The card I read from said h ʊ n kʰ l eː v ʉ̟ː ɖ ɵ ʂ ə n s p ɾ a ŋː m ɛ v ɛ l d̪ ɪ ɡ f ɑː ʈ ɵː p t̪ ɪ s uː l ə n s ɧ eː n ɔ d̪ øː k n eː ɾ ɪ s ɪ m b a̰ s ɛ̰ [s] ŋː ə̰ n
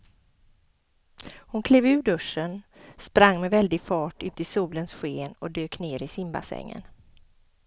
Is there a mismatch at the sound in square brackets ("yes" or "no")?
yes